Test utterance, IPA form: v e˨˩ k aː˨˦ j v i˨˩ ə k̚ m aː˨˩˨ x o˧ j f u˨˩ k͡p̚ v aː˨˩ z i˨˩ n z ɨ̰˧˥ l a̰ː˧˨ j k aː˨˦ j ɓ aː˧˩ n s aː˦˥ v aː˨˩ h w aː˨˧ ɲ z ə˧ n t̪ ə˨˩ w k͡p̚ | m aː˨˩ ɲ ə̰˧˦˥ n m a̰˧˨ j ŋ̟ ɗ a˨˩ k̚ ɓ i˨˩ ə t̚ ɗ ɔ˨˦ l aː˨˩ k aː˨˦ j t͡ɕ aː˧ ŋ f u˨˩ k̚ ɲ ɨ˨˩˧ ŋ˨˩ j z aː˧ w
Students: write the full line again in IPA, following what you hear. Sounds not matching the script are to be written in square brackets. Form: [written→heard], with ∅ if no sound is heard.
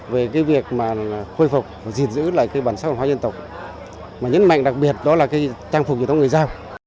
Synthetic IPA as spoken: v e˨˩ k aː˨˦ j v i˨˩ ə k̚ m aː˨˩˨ x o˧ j f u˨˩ k͡p̚ v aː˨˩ z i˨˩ n z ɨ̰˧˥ l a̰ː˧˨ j k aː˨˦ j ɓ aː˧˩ n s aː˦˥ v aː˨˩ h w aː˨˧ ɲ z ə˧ n t̪ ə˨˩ w k͡p̚ | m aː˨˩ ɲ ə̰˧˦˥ n m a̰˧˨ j ŋ̟ ɗ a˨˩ k̚ ɓ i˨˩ ə t̚ ɗ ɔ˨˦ l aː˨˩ k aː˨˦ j t͡ɕ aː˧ ŋ f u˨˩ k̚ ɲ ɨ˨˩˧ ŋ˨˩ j z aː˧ w